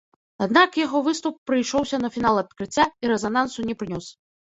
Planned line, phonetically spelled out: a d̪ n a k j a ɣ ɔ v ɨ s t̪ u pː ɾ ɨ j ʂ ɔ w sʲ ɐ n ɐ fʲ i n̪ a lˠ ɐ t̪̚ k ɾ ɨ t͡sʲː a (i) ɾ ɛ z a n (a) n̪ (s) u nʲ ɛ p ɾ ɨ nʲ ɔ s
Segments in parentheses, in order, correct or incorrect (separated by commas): correct, correct, correct